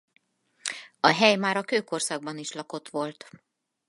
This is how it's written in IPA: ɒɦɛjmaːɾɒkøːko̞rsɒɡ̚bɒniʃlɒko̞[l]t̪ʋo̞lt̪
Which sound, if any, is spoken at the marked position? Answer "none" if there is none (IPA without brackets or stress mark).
none